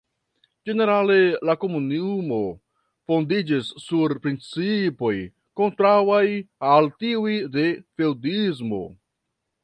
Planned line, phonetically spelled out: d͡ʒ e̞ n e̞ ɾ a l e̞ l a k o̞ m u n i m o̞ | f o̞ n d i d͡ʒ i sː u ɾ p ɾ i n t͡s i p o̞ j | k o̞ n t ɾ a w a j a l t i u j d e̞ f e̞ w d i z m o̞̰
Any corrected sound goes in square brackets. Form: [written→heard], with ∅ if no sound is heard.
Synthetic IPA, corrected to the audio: d͡ʒ e̞ n e̞ ɾ a l e̞ l a k o̞ m u n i m o̞ | f o̞ n d i d͡ʒ i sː u ɾ p ɾ i n t͡s i p o̞ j | k o̞ n t ɾ a w a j a l t i u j d e̞ f e̞ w d i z m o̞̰